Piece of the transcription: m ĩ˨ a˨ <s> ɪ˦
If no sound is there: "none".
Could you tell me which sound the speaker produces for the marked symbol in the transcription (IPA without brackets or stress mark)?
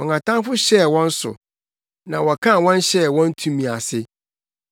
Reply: s